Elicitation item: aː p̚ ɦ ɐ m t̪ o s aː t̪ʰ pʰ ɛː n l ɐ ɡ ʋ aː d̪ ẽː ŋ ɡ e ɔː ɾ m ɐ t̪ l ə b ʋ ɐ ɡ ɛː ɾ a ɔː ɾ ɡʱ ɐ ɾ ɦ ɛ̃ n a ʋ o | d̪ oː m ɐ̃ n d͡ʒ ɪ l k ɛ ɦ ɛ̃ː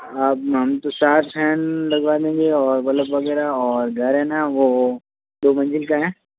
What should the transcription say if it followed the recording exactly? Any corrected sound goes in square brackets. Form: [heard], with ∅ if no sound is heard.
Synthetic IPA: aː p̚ ɦ ɐ m t̪ o s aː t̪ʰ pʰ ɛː n l ɐ ɡ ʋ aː d̪ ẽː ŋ ɡ e ɔː ɾ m ɐ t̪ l ə b ʋ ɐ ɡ ɛː ɾ a ɔː ɾ ɡʱ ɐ ɾ ɦ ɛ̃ n a ʋ o | d̪ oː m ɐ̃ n d͡ʒ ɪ l k [a] ɦ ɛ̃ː